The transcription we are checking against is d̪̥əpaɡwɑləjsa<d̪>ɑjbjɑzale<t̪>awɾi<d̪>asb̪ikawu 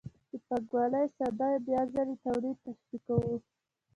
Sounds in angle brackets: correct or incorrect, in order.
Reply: correct, correct, incorrect: t̪

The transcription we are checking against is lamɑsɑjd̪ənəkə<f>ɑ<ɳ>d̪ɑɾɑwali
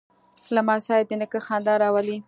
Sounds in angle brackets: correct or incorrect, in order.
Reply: incorrect: x, incorrect: n

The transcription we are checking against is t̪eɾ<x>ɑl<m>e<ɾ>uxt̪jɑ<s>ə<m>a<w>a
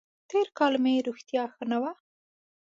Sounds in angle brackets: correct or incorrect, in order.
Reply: incorrect: k, correct, correct, incorrect: x, incorrect: n, correct

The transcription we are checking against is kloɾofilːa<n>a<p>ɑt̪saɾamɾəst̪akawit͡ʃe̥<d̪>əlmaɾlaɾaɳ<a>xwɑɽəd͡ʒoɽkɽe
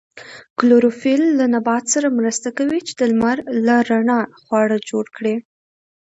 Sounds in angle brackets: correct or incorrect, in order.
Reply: correct, incorrect: b, correct, incorrect: ɑ

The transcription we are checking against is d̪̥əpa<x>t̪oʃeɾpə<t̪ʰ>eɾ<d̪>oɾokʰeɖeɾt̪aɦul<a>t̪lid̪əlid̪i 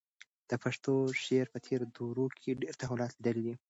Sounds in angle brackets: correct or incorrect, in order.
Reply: incorrect: ʂ, correct, correct, incorrect: ɑ

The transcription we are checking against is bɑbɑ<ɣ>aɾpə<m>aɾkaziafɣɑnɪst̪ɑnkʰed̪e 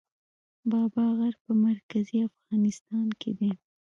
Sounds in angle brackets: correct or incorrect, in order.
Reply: correct, correct

